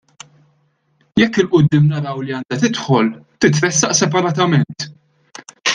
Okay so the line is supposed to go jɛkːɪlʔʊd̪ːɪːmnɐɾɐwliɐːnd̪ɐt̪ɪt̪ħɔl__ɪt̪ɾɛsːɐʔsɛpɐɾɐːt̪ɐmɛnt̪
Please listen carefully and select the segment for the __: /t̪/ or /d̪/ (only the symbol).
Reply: t̪